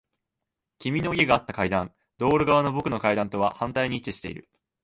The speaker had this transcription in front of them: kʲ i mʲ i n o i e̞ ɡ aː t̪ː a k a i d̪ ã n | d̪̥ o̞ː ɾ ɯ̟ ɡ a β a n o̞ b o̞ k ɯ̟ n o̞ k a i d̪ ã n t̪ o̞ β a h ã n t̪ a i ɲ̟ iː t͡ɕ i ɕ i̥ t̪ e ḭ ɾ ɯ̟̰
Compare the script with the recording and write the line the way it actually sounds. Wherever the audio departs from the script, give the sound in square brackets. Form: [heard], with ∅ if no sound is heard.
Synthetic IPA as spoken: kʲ i mʲ i n o i e̞ ɡ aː t̪ː a k a i d̪ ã n | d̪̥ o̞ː ɾ ɯ̟ ɡ a β a n o̞ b o̞ k ɯ̟ n o̞ k a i d̪ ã n t̪ o̞ β a h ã n t̪ a i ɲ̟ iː t͡ɕ i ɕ i̥ t̪ e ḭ ɾ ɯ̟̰